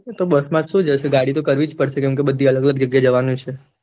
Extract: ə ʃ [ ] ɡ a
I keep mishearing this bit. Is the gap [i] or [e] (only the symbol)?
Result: e